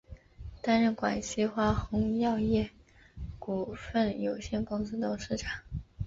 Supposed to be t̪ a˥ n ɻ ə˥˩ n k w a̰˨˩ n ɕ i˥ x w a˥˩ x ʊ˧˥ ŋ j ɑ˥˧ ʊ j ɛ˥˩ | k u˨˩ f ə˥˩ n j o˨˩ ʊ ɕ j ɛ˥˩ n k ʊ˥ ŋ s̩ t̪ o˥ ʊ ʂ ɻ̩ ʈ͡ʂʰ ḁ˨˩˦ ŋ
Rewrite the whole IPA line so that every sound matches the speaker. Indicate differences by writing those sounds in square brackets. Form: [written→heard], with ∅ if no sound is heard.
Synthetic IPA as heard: t̪ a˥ n ɻ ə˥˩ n k w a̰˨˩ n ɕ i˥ x w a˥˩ x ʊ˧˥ ŋ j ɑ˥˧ ʊ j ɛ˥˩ | k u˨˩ f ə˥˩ n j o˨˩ ʊ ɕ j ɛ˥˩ n k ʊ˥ ŋ s̩ t̪ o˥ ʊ ʂ ɻ̩ ʈ͡ʂʰ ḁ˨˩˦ ŋ